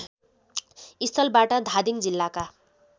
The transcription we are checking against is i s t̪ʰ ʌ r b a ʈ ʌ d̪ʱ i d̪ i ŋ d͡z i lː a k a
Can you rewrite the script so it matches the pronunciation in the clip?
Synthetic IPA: i s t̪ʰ ʌ l b a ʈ ʌ d̪ʱ a d̪ i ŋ d͡z i lː a k a